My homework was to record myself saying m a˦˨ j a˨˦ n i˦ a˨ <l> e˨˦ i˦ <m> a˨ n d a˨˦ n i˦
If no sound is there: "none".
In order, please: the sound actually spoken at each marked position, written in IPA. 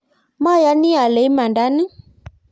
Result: l, m

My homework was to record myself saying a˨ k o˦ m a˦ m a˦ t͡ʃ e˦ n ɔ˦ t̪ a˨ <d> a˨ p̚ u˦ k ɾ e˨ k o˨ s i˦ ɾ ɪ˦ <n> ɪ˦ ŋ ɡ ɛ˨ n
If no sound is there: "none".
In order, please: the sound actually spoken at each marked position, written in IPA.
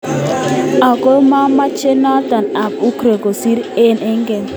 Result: n, n

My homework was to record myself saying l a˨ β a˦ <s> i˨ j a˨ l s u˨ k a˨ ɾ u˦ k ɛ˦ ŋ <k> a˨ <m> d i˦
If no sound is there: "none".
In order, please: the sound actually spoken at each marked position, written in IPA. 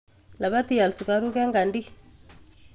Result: t, ɡ, n

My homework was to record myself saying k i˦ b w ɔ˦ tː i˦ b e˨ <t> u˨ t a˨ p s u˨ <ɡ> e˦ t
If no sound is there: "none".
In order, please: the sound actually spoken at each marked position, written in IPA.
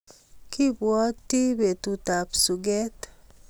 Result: t, ɡ

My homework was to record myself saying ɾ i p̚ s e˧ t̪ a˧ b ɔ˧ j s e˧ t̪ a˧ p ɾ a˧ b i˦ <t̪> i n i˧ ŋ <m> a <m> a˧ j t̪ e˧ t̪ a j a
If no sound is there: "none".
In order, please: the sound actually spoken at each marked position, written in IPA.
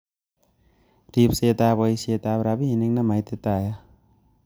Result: none, n, m

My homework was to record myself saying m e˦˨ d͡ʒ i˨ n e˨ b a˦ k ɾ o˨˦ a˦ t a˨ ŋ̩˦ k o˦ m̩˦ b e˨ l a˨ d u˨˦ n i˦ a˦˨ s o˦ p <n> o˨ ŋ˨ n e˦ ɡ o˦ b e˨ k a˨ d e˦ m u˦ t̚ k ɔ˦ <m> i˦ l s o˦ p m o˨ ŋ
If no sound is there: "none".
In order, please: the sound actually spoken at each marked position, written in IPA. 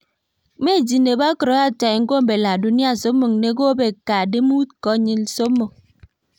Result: m, ɲ

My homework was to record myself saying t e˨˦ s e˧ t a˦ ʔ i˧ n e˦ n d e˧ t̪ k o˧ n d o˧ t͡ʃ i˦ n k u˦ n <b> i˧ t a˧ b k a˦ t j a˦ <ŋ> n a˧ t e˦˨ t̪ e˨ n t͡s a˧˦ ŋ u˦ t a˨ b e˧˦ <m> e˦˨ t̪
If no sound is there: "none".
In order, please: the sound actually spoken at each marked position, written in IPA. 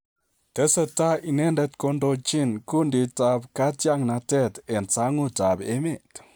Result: d, ŋ, m

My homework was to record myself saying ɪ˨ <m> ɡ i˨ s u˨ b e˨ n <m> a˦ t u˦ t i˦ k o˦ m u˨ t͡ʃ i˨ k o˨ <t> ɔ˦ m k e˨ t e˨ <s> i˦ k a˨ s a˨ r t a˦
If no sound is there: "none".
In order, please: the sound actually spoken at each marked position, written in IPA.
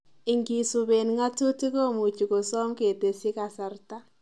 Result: ŋ, ŋ, s, s

